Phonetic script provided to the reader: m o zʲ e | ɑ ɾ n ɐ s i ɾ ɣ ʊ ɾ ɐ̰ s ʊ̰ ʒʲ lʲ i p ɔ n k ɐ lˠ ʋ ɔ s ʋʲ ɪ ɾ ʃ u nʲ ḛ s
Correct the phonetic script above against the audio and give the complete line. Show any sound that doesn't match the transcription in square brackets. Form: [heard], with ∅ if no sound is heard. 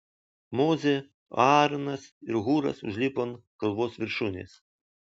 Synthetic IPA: m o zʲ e | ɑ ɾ n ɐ s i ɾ ɣ [u] ɾ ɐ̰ s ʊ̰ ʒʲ lʲ i p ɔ n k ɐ lˠ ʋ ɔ s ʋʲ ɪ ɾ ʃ u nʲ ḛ s